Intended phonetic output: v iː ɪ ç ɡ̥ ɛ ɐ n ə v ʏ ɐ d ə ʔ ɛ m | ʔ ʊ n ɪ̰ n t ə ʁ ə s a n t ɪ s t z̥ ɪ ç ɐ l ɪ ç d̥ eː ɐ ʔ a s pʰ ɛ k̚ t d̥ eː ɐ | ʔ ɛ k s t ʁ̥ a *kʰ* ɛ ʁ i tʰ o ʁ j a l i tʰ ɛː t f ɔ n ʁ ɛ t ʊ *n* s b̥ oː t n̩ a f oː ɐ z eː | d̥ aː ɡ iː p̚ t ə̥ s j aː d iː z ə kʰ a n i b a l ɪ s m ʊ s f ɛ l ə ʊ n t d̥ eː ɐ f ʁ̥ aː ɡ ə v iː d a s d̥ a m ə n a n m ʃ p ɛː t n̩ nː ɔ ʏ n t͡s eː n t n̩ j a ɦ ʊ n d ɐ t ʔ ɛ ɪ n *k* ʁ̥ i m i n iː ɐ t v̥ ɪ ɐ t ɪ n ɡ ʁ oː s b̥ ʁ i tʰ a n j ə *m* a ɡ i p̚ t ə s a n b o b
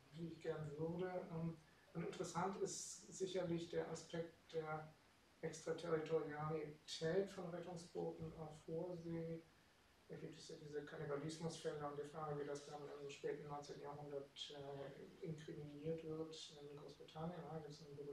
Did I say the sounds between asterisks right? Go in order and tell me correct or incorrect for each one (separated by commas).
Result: incorrect, incorrect, correct, incorrect